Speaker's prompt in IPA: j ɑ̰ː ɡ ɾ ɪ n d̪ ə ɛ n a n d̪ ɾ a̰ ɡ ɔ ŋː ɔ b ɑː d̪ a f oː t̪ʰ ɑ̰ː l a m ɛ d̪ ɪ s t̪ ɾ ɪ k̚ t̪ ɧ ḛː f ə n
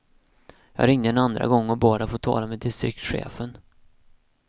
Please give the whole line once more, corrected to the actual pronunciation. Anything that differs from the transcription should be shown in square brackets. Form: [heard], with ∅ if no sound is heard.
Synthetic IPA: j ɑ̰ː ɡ ɾ ɪ [ŋ] d̪ ə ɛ n a n d̪ ɾ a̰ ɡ ɔ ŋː ɔ b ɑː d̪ a f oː t̪ʰ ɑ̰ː l a m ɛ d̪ ɪ s t̪ ɾ ɪ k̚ t̪ ɧ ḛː f ə n